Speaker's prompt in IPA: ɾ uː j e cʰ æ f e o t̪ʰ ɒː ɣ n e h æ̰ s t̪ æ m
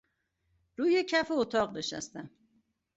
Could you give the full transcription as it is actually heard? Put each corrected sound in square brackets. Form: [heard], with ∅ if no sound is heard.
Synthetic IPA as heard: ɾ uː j e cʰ æ f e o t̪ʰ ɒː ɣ n e [ʃ] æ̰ s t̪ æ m